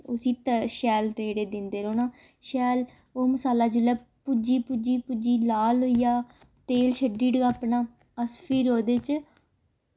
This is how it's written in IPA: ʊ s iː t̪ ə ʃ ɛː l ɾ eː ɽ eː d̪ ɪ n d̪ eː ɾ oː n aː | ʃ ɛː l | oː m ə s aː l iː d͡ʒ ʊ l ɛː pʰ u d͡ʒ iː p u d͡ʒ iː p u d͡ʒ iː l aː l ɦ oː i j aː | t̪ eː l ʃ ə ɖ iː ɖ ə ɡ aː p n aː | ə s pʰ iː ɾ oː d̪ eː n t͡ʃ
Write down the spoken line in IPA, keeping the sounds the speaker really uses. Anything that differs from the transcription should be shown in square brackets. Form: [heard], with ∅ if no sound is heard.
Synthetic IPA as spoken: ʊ s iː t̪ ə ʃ ɛː l ɾ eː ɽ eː d̪ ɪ n d̪ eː ɾ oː n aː | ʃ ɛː l | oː m ə s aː l [aː] d͡ʒ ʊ l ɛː [p] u d͡ʒ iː p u d͡ʒ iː p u d͡ʒ iː l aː l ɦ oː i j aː | t̪ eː l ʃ ə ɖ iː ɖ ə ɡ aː p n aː | ə s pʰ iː ɾ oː d̪ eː [∅] t͡ʃ